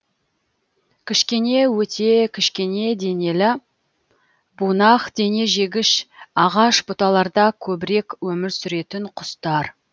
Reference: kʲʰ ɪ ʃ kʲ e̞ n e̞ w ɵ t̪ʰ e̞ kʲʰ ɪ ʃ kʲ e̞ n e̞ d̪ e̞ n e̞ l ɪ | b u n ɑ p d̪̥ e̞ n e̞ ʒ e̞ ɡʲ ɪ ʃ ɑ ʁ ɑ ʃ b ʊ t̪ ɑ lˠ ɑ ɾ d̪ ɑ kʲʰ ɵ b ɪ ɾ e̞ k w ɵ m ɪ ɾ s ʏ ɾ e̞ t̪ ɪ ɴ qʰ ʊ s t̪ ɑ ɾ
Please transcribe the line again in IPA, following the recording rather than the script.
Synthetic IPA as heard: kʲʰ ɪ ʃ kʲ e̞ n e̞ w ɵ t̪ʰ e̞ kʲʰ ɪ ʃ kʲ e̞ n e̞ d̪ e̞ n e̞ l ɪ | b u n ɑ q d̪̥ e̞ n e̞ ʒ e̞ ɡʲ ɪ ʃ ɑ ʁ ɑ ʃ b ʊ t̪ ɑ lˠ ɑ ɾ d̪ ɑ kʲʰ ɵ b ɪ ɾ e̞ k w ɵ m ɪ ɾ s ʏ ɾ e̞ t̪ ɪ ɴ qʰ ʊ s t̪ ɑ ɾ